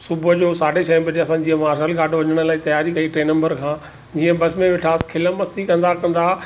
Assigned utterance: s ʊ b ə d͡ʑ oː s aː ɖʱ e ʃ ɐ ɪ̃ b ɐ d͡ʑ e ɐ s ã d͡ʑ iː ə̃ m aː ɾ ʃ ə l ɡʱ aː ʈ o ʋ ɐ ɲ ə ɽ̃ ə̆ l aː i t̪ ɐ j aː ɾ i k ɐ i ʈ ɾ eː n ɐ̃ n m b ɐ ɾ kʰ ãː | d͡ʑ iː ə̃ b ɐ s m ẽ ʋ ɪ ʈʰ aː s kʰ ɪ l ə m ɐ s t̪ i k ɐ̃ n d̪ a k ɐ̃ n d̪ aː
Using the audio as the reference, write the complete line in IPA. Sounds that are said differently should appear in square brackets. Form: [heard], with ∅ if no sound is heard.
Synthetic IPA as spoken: s ʊ b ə d͡ʑ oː s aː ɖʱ e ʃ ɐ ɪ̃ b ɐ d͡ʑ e ɐ s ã d͡ʑ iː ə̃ m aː ɾ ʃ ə l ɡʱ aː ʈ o ʋ ɐ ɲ ə ɽ̃ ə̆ l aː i t̪ ɐ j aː ɾ i k ɐ i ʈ ɾ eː n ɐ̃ [∅] m b [ə] ɾ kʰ ãː | d͡ʑ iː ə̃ b ɐ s m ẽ ʋ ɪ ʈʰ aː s kʰ ɪ l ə m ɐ s t̪ i k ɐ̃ n d̪ a k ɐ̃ n d̪ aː